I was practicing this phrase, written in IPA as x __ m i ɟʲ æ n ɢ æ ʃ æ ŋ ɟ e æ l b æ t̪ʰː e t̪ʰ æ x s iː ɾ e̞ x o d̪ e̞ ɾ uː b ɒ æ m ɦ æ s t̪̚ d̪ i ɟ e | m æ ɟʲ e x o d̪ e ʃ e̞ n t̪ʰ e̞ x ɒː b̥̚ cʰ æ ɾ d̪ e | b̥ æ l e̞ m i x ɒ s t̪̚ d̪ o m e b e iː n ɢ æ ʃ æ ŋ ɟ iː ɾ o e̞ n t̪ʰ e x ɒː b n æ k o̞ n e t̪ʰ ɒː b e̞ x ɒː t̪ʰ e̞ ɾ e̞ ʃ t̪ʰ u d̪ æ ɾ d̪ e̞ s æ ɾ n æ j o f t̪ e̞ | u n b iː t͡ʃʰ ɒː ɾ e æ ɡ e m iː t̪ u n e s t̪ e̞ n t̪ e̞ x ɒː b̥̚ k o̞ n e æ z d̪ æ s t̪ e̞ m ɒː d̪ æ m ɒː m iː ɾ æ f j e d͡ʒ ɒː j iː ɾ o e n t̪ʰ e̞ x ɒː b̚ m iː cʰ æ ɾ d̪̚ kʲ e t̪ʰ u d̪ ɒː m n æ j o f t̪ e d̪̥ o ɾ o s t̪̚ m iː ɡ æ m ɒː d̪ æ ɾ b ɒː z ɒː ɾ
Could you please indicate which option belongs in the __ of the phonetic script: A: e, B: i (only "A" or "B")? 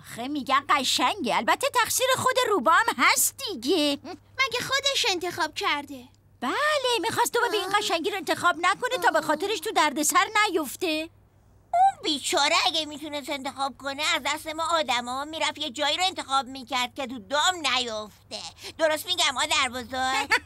A